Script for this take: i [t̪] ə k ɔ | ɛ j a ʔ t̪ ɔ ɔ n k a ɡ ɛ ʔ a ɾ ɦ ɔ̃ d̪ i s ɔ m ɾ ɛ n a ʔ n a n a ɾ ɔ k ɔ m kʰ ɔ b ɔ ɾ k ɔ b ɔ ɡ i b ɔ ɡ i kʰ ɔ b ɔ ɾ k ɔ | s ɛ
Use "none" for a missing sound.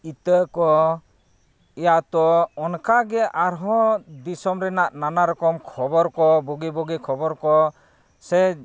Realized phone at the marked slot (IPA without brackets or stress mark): t̪